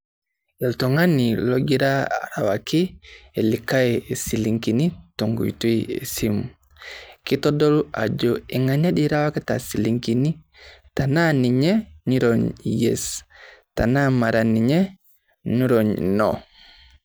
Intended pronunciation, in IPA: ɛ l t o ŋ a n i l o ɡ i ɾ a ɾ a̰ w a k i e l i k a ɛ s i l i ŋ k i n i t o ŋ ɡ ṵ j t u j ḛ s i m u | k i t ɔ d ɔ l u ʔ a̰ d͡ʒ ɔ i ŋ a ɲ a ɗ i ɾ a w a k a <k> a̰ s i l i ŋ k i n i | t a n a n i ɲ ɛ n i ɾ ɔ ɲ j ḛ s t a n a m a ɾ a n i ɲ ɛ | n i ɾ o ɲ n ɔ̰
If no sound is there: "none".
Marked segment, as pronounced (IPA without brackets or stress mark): t